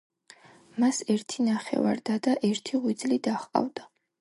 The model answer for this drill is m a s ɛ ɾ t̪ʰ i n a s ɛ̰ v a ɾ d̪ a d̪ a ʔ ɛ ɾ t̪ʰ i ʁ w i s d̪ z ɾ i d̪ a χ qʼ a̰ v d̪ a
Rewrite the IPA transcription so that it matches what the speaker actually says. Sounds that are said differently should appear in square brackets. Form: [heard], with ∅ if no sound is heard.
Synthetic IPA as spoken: m a s ɛ ɾ t̪ʰ i n a [χ] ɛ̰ v a ɾ d̪ a d̪ a ʔ ɛ ɾ t̪ʰ i ʁ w i [∅] d̪ z [l] i d̪ a χ qʼ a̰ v d̪ a